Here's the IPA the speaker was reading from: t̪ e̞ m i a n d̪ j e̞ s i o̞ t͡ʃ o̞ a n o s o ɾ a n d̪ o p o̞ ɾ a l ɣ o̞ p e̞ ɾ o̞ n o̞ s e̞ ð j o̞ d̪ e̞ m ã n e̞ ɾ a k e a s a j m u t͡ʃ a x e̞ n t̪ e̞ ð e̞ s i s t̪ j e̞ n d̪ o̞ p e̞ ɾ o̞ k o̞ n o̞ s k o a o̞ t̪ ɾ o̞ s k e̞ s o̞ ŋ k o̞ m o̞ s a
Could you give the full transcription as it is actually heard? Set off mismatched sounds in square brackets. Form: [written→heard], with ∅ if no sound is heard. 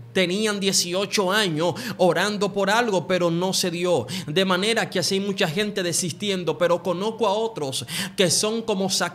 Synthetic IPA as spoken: t̪ e̞ [m→n] i a n d̪ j e̞ s i o̞ t͡ʃ o̞ a [n→ɲ] o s o ɾ a n d̪ o p o̞ ɾ a l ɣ o̞ p e̞ ɾ o̞ n o̞ s e̞ ð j o̞ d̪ e̞ m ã n e̞ ɾ a k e a s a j m u t͡ʃ a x e̞ n t̪ e̞ ð e̞ s i s t̪ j e̞ n d̪ o̞ p e̞ ɾ o̞ k o̞ n o̞ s k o a o̞ t̪ ɾ o̞ s k e̞ s o̞ ŋ k o̞ m o̞ s a